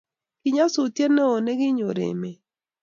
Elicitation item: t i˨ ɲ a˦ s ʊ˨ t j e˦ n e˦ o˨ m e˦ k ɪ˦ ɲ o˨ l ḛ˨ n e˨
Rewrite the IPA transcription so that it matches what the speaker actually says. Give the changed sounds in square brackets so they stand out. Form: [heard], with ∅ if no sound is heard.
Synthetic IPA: [k] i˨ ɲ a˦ s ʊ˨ t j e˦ n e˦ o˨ [n] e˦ [ɡ] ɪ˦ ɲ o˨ [ɾ] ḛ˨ [m] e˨